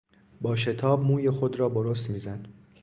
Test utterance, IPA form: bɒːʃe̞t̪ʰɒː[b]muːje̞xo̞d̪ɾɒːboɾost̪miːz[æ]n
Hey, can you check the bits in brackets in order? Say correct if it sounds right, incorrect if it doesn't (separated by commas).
correct, correct